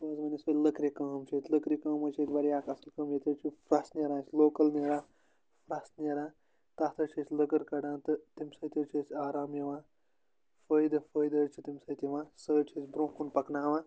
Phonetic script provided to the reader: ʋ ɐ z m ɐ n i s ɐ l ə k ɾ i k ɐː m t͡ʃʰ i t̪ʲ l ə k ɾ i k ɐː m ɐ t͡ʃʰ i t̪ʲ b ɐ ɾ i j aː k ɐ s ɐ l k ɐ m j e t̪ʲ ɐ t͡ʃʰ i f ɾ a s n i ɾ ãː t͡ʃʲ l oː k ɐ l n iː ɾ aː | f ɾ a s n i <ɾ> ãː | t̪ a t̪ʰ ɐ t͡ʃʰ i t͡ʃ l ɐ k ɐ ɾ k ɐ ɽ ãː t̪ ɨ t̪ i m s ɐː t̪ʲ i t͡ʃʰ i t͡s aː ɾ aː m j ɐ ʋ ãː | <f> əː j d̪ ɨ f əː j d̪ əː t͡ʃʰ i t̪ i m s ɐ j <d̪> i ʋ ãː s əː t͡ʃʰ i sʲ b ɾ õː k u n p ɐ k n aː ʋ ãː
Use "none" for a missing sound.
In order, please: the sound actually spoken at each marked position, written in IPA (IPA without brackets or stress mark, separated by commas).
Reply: ɾ, f, t̪